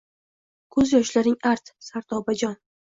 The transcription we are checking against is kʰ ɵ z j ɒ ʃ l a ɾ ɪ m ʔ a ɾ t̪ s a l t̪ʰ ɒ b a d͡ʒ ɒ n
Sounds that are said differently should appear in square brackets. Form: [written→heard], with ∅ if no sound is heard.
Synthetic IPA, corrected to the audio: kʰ ɵ z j ɒ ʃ l a ɾ ɪ [m→ŋ] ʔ a ɾ t̪ s a [l→ɾ] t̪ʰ ɒ b a d͡ʒ ɒ n